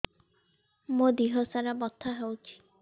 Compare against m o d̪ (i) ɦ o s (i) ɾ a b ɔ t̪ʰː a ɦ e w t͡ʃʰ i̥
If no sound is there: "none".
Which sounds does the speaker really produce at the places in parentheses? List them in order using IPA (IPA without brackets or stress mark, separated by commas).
i, a